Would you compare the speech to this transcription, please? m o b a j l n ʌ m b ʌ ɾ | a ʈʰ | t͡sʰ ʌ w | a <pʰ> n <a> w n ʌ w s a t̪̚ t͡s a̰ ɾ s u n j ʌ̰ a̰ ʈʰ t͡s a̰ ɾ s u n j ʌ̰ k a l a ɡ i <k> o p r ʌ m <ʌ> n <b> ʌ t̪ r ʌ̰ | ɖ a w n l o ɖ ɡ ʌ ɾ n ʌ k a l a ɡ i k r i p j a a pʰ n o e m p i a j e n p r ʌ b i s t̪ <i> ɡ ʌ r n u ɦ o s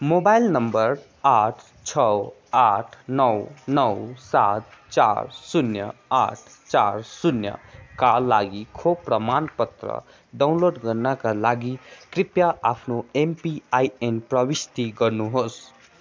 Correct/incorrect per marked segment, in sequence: incorrect: ʈʰ, incorrect: ʌ, incorrect: kʰ, incorrect: a, incorrect: p, correct

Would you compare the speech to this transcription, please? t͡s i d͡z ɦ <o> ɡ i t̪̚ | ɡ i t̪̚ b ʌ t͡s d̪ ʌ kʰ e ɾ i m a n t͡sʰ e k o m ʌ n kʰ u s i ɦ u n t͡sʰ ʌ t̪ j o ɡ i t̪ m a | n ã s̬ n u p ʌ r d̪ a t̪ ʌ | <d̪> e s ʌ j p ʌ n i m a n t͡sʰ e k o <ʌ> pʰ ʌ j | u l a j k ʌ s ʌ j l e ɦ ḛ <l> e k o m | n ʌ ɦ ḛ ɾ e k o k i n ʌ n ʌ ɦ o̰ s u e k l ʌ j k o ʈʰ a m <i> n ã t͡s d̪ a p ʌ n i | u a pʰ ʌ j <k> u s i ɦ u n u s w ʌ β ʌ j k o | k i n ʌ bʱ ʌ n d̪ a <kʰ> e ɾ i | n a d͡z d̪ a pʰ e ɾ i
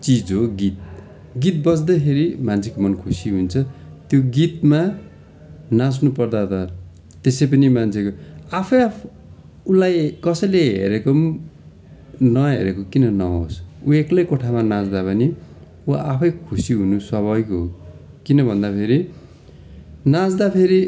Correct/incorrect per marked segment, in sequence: correct, incorrect: t̪, incorrect: a, incorrect: ɾ, incorrect: a, incorrect: kʰ, incorrect: pʰ

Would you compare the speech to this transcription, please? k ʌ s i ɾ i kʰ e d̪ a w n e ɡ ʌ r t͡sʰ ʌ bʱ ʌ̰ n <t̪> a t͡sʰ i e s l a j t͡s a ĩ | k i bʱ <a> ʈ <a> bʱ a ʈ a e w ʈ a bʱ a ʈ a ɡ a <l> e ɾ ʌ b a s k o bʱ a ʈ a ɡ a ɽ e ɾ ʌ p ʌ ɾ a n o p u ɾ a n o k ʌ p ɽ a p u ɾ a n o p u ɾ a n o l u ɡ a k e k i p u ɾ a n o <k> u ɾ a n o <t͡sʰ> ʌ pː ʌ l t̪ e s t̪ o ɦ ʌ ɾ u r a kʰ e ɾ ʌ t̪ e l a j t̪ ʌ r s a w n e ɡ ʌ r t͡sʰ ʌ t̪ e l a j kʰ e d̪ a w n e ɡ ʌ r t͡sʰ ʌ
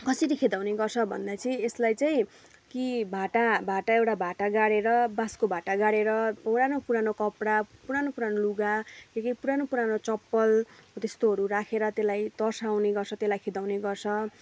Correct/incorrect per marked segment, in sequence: incorrect: d̪, correct, correct, incorrect: ɽ, incorrect: p, incorrect: t͡s

